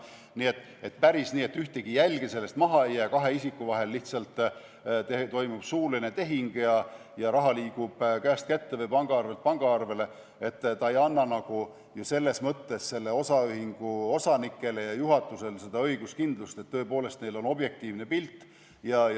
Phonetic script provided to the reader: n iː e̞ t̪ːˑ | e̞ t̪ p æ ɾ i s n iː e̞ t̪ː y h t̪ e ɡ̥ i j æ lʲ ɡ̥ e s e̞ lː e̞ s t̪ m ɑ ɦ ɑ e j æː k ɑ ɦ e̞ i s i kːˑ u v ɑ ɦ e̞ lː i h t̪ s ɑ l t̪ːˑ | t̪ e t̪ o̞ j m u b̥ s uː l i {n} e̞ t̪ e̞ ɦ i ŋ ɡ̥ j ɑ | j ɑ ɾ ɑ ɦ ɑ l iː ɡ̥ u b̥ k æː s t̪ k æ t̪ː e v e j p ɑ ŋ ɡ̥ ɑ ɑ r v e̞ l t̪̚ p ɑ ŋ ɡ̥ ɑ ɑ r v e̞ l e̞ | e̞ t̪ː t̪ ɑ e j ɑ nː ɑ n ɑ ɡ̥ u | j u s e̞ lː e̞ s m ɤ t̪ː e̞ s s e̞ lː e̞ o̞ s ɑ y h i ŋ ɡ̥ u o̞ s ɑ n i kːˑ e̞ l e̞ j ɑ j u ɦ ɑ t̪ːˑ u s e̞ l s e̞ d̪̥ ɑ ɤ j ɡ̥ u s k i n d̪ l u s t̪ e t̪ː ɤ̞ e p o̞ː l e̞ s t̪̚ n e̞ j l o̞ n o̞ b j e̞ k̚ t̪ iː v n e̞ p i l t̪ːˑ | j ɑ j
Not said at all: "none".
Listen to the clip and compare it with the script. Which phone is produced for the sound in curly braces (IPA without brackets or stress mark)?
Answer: n